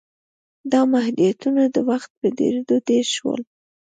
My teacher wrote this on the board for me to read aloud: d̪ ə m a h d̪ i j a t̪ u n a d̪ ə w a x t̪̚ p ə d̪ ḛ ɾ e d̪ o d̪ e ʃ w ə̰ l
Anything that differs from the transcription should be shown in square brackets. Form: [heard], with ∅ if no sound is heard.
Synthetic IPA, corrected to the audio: d̪ [ɑ] m a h d̪ i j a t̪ u n a d̪ ə w a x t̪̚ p ə d̪ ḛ ɾ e d̪ o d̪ e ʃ w ə̰ l